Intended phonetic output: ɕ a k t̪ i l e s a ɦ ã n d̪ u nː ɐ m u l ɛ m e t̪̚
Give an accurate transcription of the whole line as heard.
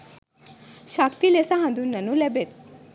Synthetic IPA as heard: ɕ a k t̪ i l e s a ɦ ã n d̪ u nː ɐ n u l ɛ b e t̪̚